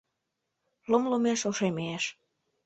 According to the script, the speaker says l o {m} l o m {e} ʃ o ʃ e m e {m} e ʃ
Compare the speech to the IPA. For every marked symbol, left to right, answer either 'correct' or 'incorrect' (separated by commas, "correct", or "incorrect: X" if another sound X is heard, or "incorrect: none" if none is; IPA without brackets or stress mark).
correct, correct, incorrect: none